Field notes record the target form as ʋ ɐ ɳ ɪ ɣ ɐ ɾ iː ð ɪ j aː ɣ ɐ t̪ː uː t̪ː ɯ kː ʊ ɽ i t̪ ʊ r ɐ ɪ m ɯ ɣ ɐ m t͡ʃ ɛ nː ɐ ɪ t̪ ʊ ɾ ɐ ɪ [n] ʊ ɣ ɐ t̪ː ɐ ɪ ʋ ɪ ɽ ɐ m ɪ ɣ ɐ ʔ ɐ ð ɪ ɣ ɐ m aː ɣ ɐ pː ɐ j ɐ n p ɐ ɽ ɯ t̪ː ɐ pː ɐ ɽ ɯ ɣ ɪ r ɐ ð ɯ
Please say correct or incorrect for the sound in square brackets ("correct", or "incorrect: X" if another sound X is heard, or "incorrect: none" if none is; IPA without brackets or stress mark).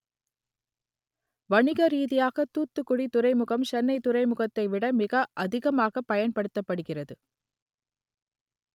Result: incorrect: m